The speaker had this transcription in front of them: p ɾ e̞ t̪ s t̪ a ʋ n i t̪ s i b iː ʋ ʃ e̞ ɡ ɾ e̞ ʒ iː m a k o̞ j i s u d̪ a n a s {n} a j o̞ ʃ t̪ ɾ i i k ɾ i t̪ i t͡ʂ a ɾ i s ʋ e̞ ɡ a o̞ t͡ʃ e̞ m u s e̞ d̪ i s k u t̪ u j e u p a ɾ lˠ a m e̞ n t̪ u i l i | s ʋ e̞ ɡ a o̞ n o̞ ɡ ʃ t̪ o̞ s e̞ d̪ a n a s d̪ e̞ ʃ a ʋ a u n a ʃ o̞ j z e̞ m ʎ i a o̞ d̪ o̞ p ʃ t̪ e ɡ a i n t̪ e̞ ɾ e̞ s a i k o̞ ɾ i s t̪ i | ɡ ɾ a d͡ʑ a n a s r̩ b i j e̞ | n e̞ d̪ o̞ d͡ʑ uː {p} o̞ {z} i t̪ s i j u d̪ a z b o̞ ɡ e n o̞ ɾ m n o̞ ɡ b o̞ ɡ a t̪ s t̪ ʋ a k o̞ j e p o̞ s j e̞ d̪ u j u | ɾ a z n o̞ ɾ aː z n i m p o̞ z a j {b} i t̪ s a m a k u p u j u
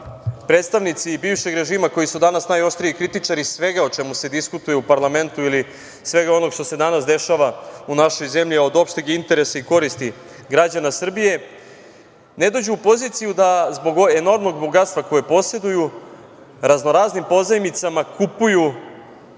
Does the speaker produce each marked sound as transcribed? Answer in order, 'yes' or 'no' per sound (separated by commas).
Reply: yes, yes, yes, no